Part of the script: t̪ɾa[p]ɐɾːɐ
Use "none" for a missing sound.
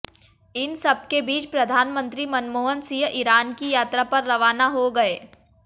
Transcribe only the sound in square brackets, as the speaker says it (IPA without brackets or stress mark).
p